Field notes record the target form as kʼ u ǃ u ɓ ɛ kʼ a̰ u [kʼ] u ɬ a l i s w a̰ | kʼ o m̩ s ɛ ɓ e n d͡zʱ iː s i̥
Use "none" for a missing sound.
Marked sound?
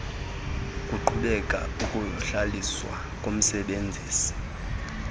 kʼ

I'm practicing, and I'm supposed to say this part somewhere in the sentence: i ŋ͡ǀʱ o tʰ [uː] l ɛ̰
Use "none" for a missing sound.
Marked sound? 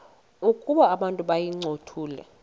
uː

